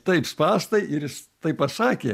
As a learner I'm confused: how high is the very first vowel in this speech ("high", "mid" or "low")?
low